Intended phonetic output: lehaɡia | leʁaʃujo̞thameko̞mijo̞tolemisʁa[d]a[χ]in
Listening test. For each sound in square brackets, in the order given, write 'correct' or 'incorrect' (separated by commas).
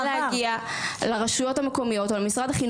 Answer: correct, correct